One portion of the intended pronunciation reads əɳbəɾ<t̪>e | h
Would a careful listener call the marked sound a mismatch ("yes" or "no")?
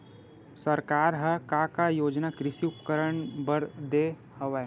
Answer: yes